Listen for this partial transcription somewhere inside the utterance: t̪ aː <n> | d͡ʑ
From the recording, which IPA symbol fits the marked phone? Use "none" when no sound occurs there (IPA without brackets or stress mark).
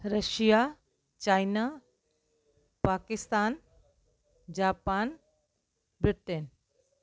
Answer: n